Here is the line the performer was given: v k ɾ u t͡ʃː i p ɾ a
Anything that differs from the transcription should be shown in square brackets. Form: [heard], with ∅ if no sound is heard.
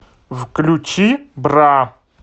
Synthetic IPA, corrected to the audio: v k [l] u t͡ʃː i [b] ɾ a